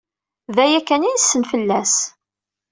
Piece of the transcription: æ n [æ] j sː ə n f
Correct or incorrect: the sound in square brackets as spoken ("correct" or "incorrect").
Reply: incorrect